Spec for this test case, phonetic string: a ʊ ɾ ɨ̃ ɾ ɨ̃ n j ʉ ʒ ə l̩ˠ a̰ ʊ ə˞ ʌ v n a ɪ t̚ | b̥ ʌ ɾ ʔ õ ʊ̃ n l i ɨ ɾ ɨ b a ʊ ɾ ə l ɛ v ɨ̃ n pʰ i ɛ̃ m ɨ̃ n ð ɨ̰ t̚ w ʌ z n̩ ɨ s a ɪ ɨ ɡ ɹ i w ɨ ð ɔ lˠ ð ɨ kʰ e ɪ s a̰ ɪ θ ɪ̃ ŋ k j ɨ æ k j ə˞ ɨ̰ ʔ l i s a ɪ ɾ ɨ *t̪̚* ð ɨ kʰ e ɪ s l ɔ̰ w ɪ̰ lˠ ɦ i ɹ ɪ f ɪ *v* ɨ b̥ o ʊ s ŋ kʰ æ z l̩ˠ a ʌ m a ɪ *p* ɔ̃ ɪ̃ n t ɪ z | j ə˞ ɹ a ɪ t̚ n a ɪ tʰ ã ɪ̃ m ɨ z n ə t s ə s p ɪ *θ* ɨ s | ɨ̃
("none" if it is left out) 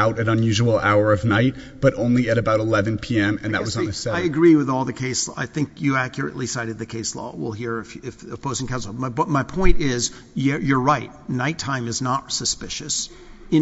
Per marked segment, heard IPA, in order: d̪̚, f, pʰ, ʃ

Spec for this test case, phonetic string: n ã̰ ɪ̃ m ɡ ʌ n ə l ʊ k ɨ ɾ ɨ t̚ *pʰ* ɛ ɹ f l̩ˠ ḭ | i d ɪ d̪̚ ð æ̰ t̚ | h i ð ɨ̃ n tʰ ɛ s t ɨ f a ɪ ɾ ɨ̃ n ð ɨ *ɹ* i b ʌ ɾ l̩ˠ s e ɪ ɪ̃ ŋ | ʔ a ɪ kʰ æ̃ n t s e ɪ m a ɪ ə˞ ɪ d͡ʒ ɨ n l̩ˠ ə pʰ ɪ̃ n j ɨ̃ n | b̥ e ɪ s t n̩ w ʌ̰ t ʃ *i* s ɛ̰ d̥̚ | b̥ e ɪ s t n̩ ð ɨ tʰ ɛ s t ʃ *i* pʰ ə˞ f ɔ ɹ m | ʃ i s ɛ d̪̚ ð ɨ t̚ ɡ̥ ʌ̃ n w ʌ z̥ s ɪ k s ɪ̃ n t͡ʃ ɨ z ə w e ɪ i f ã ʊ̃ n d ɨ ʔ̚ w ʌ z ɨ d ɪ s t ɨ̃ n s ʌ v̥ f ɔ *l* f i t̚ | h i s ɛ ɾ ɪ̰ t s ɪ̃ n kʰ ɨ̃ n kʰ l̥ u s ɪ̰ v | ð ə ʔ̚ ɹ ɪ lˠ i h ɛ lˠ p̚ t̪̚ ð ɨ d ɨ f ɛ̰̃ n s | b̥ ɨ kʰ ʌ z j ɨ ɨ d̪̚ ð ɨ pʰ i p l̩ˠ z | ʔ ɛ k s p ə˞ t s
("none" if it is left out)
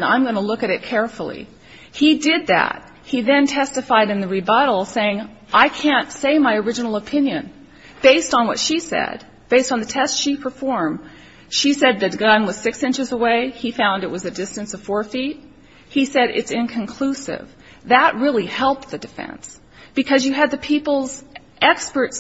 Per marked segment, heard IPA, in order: kʰ, ɹ, i, i, ɹ

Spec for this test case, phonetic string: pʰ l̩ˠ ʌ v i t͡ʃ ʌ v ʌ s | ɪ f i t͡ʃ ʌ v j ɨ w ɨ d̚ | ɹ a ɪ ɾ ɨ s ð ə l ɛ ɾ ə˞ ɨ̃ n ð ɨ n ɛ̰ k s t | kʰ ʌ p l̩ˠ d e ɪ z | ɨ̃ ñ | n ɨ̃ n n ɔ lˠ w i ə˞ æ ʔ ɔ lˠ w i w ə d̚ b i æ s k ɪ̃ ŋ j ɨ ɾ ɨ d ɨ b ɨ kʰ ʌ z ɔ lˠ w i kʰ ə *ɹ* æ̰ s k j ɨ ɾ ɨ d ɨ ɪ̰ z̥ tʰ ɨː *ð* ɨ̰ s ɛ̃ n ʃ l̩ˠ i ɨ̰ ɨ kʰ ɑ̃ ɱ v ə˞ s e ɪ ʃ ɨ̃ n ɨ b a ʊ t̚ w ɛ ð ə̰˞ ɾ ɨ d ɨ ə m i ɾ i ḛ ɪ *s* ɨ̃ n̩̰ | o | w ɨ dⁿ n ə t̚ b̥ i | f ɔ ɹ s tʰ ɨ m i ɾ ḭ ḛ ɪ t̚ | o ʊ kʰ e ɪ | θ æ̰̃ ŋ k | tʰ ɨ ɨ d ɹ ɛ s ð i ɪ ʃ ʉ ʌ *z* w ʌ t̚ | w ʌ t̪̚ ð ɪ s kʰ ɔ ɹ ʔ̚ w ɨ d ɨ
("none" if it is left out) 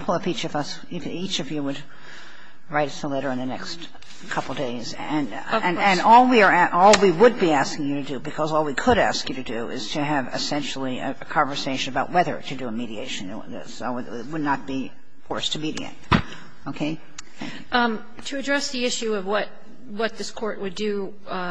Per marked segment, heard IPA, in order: ɾ, v, ʃ, v

